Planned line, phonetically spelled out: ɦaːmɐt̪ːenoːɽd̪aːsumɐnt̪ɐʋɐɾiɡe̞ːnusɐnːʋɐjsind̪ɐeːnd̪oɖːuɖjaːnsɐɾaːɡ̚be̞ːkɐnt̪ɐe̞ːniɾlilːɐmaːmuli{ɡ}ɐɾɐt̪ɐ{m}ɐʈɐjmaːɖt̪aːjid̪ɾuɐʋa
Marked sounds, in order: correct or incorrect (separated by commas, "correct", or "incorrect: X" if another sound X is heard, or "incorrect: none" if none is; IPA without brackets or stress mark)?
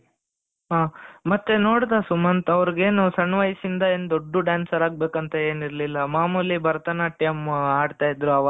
incorrect: b, incorrect: n